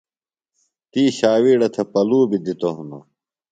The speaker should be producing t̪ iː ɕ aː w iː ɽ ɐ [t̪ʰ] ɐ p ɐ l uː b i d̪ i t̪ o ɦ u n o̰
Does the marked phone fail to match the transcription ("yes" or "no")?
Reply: no